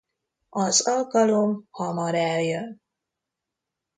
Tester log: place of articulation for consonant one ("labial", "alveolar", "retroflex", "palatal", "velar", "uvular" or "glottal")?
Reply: alveolar